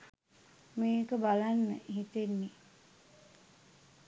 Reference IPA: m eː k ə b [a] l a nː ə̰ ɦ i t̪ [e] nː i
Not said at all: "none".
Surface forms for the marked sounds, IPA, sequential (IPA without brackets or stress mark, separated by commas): a, e